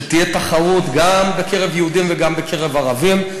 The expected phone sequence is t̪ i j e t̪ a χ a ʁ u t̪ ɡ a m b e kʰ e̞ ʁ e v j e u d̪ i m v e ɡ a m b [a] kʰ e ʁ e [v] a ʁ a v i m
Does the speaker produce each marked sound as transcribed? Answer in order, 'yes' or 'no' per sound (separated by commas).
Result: no, yes